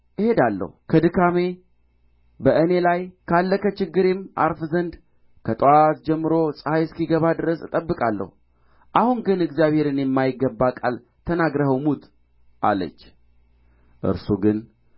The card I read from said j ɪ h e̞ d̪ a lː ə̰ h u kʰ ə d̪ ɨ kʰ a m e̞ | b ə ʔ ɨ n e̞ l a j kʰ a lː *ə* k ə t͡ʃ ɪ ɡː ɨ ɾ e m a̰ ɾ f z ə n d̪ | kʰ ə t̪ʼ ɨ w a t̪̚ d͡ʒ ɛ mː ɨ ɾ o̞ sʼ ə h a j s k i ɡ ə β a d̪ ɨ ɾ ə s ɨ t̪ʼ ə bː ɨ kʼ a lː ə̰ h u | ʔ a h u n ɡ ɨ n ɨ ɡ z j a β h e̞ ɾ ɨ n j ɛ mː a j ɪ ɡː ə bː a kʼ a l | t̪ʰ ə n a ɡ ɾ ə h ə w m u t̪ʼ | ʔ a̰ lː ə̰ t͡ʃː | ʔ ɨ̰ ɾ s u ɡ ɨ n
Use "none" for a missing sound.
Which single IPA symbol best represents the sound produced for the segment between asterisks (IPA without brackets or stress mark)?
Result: ə